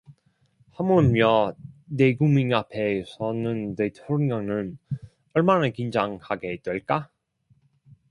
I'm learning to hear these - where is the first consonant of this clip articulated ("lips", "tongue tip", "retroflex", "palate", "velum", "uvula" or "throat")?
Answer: throat